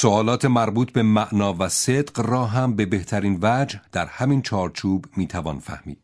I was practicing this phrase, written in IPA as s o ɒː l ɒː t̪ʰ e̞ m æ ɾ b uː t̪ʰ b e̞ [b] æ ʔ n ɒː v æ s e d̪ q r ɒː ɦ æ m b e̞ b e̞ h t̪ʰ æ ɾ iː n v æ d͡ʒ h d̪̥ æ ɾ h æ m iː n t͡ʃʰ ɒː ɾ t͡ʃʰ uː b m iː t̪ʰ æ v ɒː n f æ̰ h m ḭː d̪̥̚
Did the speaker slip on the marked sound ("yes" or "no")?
yes